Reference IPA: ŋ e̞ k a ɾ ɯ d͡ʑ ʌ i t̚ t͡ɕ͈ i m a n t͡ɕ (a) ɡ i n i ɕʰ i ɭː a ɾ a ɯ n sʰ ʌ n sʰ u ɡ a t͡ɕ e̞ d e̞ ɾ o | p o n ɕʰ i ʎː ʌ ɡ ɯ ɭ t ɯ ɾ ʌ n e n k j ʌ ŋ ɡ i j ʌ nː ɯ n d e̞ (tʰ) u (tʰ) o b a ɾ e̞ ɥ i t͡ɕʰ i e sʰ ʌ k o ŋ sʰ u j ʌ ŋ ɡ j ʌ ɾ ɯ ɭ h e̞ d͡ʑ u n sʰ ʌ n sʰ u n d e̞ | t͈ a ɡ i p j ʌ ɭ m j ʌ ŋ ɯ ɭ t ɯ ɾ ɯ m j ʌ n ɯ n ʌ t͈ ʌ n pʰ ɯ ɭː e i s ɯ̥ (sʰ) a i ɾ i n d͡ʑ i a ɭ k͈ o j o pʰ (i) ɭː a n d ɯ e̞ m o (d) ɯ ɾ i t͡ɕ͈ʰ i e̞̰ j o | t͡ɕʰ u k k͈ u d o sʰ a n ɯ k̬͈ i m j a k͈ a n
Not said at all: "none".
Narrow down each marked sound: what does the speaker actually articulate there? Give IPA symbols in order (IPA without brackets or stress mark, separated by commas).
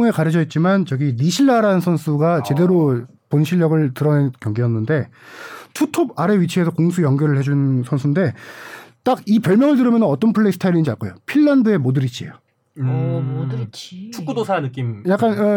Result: ʌ, tʰ, tʰ, tʰ, i, d